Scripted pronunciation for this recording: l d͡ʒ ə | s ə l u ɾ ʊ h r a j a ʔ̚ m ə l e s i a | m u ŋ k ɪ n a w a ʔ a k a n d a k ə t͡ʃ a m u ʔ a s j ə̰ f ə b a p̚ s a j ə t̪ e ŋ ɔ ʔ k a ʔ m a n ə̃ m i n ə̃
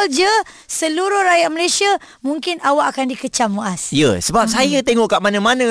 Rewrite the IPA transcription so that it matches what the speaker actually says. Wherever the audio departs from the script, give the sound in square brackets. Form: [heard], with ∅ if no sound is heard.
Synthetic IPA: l d͡ʒ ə | s ə l u ɾ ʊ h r a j a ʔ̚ m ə l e s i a | m u ŋ k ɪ n a w a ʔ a k a n d [i] k ə t͡ʃ a m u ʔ a s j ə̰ [s] ə b a p̚ s a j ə t̪ e ŋ ɔ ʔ k a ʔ m a n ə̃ m [a] n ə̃